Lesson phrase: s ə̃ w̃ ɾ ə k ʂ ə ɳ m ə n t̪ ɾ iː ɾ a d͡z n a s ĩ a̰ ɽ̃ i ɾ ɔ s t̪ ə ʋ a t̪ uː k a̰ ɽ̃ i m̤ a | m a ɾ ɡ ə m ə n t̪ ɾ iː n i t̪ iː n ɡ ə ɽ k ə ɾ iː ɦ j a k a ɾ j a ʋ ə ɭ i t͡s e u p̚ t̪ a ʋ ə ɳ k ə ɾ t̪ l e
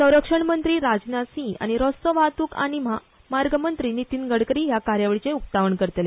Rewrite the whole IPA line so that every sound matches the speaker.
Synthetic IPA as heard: s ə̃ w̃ ɾ ə k ʂ ə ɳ m ə n t̪ ɾ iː ɾ a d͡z n a s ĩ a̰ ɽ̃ i ɾ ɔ s t̪ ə ʋ a t̪ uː k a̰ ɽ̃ i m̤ a | m a ɾ ɡ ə m ə n t̪ ɾ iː n i t̪ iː n ɡ ə ɽ k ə ɾ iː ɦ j a k a ɾ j a ʋ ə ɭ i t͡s e u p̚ t̪ a ʋ ə ɳ k ə ɾ t̪ l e